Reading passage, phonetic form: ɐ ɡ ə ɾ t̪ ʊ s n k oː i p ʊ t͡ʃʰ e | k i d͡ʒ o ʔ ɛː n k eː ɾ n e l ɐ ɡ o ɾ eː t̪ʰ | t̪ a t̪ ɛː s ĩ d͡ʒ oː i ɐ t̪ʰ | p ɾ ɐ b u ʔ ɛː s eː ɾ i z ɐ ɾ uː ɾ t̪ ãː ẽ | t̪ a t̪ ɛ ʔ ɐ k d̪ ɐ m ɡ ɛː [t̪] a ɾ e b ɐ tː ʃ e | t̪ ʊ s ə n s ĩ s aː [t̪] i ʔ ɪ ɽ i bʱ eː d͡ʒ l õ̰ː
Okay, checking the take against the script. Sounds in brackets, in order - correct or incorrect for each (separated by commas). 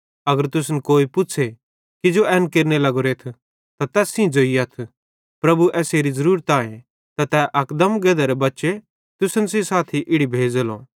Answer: incorrect, incorrect